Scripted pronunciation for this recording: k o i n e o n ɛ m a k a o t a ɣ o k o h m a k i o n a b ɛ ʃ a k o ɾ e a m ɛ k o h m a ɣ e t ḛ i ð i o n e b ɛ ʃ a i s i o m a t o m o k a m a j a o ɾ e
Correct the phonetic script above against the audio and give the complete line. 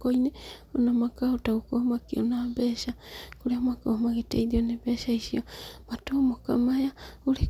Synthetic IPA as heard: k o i n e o n a m a k a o t a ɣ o k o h m a k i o n a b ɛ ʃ a k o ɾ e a m a k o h m a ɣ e t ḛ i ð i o n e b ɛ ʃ a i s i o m a t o m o k a m a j a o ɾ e

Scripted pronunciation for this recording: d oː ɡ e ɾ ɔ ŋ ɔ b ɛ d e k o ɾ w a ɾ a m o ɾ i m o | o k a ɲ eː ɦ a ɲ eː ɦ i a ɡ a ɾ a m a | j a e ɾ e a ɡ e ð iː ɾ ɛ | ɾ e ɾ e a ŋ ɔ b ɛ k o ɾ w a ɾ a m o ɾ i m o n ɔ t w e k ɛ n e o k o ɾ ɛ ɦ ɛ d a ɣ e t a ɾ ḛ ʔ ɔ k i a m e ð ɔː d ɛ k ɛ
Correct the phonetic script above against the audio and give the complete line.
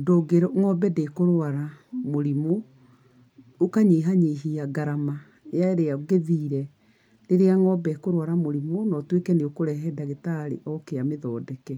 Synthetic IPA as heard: d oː ɡ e ɾ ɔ ŋ ɔ b ɛ d e k o ɾ w a ɾ a m o ɾ i m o | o k a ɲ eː ɦ a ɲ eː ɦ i a ɡ a ɾ a m a | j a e ɾ e a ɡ e ð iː ɾ ɛ | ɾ e ɾ e a ŋ ɔ b ɛ k o ɾ w a ɾ a m o ɾ i m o n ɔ t w e k ɛ n e o k o ɾ ɛ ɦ ɛ d a ɣ e t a ɾ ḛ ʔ ɔ k e a m e ð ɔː d ɛ k ɛ

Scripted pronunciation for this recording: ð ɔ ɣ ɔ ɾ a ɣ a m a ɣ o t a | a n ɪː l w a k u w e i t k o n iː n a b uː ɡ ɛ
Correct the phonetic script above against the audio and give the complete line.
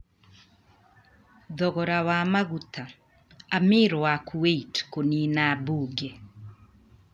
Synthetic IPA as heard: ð ɔ ɣ ɔ ɾ a w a m a ɣ u t a | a m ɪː ɾ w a k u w e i t k o n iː n a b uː ɡ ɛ

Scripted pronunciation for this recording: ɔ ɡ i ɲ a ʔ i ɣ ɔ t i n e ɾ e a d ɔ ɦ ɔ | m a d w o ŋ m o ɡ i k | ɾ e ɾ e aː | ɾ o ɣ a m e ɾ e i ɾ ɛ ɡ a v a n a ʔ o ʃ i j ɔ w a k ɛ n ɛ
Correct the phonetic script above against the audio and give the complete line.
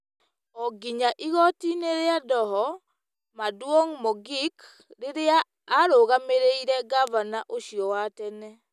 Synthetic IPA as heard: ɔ ɡ i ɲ a ʔ i ɣ ɔ t i n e ɾ e a d ɔ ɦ ɔ | m a d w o ŋ m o ɡ i k | ɾ e ɾ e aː | ɾ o ɣ a m e ɾ e i ɾ ɛ ɡ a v a n a ʔ o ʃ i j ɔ w a t ɛ n ɛ

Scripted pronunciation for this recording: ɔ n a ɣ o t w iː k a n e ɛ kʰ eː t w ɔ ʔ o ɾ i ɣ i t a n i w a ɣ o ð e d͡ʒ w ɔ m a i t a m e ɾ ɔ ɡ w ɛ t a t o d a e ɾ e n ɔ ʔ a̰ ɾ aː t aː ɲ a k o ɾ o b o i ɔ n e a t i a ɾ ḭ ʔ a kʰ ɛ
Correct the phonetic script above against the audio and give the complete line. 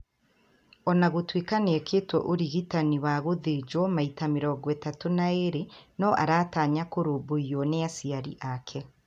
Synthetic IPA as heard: ɔ n a ɣ o t w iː k a n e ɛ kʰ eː t w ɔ ʔ o ɾ i ɣ i t a n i w a ɣ o ð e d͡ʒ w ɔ m a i t a m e ɾ ɔ ɡ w ɛ t a t o n a e ɾ e n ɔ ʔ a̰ ɾ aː t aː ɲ a k o ɾ o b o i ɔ n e a s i a ɾ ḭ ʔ a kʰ ɛ

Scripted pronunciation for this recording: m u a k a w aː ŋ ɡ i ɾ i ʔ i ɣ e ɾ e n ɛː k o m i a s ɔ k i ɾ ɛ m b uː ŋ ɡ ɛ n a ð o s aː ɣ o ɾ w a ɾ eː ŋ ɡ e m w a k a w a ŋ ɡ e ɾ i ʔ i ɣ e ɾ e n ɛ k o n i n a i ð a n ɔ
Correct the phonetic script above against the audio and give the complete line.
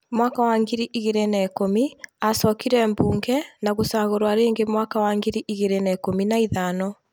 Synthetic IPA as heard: m w a k a w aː ŋ ɡ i ɾ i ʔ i ɣ e ɾ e n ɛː k o m i a s ɔ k i ɾ ɛ m b uː ŋ ɡ ɛ n a ɣ o s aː ɣ o ɾ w a ɾ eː ŋ ɡ e m w a k a w a ŋ ɡ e ɾ i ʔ i ɣ e ɾ e n ɛ k o m i n a i ð a n ɔ

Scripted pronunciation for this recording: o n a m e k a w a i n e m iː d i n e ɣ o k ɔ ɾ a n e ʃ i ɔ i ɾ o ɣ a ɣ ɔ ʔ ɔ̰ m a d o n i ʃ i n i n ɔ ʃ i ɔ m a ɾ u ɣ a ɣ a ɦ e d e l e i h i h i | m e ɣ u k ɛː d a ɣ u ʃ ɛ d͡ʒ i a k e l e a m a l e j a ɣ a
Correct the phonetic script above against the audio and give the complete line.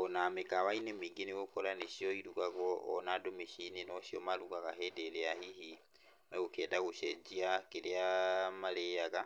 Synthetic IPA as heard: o n a m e k a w a i n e m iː ɡ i n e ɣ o k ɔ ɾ a n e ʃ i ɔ i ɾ u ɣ a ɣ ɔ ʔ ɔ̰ n a d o m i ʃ i n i n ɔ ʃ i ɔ m a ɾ u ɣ a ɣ a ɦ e d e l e a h i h i | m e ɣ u k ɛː d a ɣ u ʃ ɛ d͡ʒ i a k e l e a m a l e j a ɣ a

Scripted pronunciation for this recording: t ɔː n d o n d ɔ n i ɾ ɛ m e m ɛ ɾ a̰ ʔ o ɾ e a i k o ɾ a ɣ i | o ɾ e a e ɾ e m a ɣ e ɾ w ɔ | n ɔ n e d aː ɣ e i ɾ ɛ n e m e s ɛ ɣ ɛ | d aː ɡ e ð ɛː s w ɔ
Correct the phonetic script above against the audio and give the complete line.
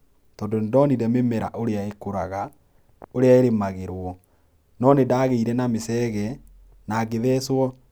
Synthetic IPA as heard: t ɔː n d o n d ɔ n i ɾ ɛ m e m ɛ ɾ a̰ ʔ o ɾ e a e k o ɾ a ɣ a | o ɾ e a e ɾ e m a ɣ e ɾ w ɔ | n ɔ n e d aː ɣ e i ɾ ɛ n a m e s ɛ ɣ ɛ | n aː ɡ e ð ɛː s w ɔ

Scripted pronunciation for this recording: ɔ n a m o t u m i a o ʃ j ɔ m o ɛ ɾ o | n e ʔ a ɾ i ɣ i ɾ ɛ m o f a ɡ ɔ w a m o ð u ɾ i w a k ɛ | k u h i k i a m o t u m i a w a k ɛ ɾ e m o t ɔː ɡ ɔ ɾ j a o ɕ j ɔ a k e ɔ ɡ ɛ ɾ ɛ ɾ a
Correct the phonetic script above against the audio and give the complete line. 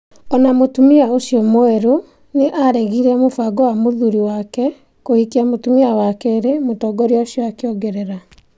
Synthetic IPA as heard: ɔ n a m o t u m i a o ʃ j ɔ m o ɛ ɾ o | n e ʔ a ɾ ɛ ɣ i ɾ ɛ m o f a ɡ ɔ w a m o ð u ɾ i w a k ɛ | k o h i k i a m o t u m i a w a k ɛ ɾ e m o t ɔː ɡ ɔ ɾ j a o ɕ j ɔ a k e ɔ ɡ ɛ ɾ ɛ ɾ a

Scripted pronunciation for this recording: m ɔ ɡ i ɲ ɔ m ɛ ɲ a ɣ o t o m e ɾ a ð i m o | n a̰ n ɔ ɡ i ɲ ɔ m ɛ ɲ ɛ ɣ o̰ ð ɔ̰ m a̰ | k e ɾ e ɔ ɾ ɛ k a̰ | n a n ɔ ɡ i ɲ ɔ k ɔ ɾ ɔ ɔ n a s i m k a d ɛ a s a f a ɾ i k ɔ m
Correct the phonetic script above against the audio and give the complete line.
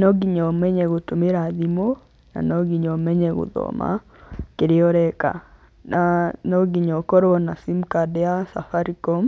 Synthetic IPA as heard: n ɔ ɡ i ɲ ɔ m ɛ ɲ ɛ ɣ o t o m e ɾ a ð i m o | n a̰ n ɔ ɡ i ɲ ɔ m ɛ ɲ ɛ ɣ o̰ ð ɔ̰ m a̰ | k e ɾ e ɔ ɾ ɛ k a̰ | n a n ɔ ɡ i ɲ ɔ k ɔ ɾ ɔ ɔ n a s i m k a d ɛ a s a f a ɾ i k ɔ m

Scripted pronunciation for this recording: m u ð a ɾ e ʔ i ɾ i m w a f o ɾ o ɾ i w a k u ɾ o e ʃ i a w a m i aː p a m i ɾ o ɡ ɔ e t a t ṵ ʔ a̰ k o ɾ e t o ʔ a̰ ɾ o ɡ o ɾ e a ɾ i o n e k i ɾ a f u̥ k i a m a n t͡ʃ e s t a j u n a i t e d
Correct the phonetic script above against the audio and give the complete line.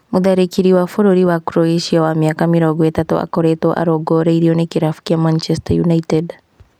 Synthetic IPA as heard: m u ð a ɾ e k i ɾ i w a f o ɾ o ɾ i w a k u ɾ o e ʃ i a w a m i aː k a m i ɾ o ɡ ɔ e t a t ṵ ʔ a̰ k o ɾ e t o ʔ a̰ ɾ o ɡ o ɾ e i ɾ i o n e k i ɾ a f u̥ k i a m a n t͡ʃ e s t a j u n a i t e d

